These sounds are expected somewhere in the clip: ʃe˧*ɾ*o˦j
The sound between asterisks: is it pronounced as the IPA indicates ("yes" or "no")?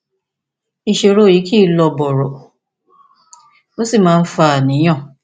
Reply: yes